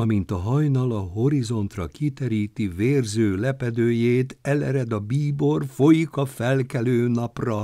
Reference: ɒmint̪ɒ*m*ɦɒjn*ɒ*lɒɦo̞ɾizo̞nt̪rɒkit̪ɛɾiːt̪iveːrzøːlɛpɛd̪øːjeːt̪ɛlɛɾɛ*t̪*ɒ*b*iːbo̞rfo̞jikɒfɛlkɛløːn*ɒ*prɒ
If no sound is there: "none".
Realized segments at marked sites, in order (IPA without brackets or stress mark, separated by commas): none, ɒ, d̪, b, ɒ